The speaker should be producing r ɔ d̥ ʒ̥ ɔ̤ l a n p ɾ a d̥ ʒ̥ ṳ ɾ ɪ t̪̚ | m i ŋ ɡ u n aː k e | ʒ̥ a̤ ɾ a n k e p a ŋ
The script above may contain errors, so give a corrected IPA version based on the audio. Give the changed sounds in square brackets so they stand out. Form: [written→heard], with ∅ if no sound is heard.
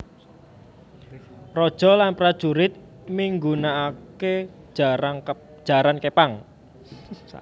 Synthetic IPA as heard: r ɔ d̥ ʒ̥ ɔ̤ l a n p ɾ a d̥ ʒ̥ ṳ ɾ ɪ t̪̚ | m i ŋ ɡ u n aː k e | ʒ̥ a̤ ɾ a n k e p a ŋ